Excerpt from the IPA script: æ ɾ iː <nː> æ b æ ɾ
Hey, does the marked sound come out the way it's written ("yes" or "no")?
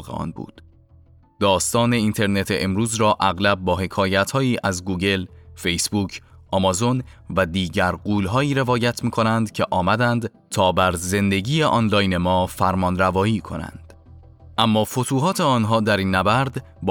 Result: yes